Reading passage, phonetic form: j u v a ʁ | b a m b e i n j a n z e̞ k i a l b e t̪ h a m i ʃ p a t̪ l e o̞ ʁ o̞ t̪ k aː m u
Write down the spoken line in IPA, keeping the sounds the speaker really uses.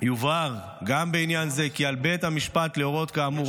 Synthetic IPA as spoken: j u v a ʁ | ɡ a m b e i n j a n z e̞ k i a l b e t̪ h a m i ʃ p a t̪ l e o̞ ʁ o̞ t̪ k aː m u